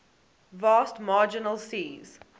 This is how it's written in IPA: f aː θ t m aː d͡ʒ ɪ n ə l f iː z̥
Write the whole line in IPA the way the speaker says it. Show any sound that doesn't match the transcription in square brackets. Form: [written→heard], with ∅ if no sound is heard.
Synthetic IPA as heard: [f→v] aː [θ→s] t m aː d͡ʒ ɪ n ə l [f→s] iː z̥